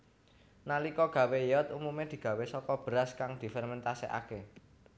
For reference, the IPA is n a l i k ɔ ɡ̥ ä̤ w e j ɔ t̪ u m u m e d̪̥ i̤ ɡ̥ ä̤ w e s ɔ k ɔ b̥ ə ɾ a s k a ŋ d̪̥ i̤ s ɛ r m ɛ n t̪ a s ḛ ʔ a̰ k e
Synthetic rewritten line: n a l i k ɔ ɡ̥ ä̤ w e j ɔ t̪ u m u m e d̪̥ i̤ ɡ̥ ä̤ w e s ɔ k ɔ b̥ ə ɾ a s k a ŋ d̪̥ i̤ f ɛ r m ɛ n t̪ a s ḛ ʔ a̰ k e